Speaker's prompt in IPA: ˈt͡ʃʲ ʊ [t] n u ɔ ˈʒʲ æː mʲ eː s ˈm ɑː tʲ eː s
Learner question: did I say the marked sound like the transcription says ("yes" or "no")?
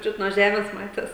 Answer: yes